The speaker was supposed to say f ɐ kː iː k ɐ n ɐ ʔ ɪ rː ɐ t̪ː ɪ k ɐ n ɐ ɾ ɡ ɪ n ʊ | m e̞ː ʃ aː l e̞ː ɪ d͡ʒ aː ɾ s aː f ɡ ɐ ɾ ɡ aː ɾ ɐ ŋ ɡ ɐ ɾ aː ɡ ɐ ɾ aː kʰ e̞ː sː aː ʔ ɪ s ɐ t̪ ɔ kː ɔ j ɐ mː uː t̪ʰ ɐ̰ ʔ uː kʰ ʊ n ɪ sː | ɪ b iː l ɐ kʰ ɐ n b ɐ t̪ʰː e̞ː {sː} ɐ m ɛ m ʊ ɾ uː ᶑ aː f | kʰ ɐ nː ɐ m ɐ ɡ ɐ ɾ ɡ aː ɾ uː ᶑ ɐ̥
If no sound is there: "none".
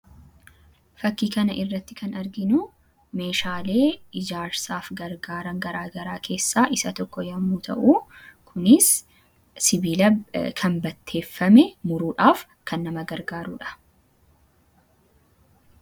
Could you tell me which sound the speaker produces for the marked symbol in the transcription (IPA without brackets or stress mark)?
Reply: fː